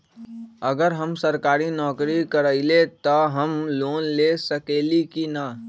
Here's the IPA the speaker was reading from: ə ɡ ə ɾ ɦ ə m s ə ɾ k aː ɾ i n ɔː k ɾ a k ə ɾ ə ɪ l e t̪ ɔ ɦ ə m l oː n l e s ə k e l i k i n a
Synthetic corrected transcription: ə ɡ ə ɾ ɦ ə m s ə ɾ k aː ɾ i n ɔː k ɾ i k ə ɾ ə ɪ l e t̪ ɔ ɦ ə m l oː n l e s ə k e l i k i n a